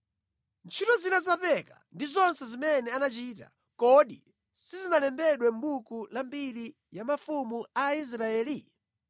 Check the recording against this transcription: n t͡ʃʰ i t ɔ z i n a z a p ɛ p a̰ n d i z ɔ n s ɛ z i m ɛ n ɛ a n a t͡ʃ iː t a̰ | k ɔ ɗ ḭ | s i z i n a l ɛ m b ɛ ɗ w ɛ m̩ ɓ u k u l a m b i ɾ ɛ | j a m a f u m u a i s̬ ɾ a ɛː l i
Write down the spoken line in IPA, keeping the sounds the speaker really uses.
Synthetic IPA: n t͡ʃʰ i t ɔ z i n a z a p ɛ k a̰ n d i z ɔ n s ɛ z i m ɛ n ɛ a n a t͡ʃ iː t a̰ | k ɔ ɗ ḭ | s i z i n a l ɛ m b ɛ ɗ w ɛ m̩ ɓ u k u l a m b i ɾ i | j a m a f u m u a i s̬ ɾ a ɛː l i